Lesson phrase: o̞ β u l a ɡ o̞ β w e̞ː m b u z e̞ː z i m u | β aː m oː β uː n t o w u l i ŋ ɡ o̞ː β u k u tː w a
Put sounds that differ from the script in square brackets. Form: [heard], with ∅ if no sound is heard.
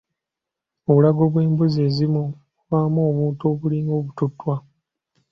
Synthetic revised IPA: o̞ β u l a ɡ o̞ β w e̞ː m b u z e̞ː z i m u | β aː m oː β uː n t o [β] u l i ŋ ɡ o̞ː β u [t] u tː w a